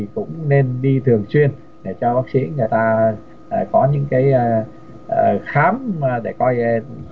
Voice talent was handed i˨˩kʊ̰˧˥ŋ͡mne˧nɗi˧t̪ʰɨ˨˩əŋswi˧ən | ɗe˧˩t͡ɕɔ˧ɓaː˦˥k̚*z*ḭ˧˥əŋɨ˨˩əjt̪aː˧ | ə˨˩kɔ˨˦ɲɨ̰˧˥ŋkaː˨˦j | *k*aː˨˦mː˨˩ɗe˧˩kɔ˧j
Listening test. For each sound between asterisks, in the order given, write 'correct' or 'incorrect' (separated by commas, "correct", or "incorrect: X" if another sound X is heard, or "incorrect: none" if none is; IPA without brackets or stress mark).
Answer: incorrect: s, incorrect: x